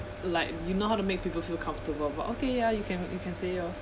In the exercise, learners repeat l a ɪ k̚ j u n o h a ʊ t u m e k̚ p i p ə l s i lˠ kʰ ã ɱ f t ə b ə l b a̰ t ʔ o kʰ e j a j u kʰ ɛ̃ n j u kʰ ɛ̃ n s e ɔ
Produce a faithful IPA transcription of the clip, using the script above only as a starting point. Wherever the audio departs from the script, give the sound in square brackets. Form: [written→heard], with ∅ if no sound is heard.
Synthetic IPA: l a ɪ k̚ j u n o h a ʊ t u m e k̚ p i p ə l [s→f] i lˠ kʰ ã ɱ f t ə b ə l b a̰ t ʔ o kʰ e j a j u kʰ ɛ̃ n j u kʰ ɛ̃ n s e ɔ